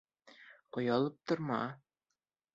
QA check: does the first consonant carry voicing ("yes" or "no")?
no